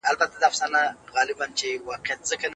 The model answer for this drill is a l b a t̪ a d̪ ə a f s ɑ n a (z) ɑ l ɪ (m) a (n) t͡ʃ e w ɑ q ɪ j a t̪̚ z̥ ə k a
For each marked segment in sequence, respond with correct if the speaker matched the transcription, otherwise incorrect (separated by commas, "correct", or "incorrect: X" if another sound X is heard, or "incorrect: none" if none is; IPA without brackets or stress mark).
incorrect: ɣ, incorrect: b, correct